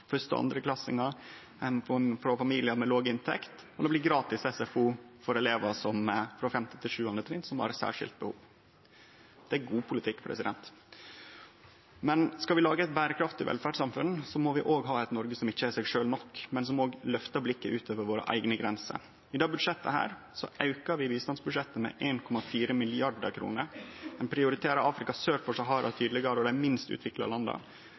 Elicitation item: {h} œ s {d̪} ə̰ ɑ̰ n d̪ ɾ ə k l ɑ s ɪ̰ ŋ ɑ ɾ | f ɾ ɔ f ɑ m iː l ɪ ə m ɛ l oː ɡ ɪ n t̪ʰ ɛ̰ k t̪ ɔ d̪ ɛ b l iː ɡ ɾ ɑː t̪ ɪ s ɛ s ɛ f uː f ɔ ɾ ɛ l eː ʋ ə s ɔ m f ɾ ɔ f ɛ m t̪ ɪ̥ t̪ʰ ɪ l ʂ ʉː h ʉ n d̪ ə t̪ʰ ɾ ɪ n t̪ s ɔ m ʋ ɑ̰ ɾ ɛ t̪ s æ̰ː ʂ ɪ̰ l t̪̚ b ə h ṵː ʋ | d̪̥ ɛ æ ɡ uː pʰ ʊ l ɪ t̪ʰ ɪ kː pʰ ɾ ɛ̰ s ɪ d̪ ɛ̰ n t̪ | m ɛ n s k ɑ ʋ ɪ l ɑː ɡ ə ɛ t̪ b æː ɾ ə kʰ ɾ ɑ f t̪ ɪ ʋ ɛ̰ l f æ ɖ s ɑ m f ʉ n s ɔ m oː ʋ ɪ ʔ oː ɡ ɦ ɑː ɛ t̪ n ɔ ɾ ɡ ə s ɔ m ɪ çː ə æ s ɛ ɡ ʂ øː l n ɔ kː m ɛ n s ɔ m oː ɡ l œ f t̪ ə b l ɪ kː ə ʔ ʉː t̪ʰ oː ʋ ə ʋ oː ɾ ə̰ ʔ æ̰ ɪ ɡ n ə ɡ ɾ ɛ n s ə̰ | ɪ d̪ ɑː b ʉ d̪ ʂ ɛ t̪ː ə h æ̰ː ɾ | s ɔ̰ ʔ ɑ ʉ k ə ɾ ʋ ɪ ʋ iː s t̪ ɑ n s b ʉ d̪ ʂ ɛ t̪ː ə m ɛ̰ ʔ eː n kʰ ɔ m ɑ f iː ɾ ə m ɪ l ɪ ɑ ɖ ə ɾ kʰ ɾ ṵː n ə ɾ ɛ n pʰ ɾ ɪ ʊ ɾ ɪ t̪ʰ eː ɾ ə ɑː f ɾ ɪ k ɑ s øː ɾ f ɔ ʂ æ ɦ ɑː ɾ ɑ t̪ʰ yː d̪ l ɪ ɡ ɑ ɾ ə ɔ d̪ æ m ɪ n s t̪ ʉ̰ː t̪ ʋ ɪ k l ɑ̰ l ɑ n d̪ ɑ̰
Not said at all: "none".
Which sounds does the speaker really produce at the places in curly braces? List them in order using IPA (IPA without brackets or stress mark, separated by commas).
f, t̪